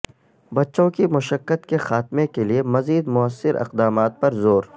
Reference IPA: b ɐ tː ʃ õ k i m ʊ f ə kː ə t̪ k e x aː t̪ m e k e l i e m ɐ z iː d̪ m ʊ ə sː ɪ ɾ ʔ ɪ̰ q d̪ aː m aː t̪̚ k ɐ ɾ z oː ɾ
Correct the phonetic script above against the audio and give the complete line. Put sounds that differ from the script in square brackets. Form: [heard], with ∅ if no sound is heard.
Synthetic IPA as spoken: b ɐ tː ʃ õ k i m ʊ [ʃ] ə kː ə t̪ k e x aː t̪ m e k e l i e m ɐ z iː d̪ m ʊ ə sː ɪ ɾ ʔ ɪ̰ q d̪ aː m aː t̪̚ [p] ɐ ɾ z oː ɾ